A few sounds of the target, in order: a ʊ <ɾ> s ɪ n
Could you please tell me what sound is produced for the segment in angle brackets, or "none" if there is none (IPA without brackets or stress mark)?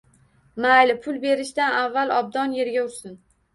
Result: ɾ